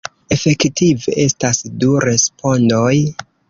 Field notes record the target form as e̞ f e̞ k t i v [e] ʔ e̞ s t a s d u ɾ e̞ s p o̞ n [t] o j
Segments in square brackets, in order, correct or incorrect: correct, incorrect: d

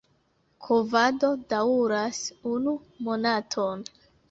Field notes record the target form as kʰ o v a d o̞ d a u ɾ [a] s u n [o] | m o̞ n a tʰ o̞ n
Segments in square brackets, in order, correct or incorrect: correct, incorrect: u

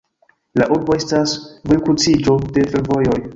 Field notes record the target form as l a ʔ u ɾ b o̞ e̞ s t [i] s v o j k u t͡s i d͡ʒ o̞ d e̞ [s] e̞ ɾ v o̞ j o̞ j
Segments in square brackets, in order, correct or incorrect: incorrect: a, incorrect: f

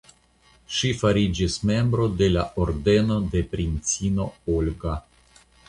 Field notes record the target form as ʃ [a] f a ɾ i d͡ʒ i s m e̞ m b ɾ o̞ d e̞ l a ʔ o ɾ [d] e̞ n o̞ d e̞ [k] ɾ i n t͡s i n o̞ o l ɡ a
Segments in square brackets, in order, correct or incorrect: incorrect: i, correct, incorrect: p

